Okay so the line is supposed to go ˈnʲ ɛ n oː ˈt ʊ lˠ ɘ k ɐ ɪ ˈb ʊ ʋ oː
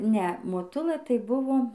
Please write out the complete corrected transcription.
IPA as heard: ˈnʲ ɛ m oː ˈt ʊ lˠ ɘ t ɐ ɪ ˈb ʊ ʋ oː